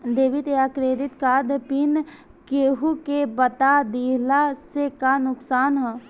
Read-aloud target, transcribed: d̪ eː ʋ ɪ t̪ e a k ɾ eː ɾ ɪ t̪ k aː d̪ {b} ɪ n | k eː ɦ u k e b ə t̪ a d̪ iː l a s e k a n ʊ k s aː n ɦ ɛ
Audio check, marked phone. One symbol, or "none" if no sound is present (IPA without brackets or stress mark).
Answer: p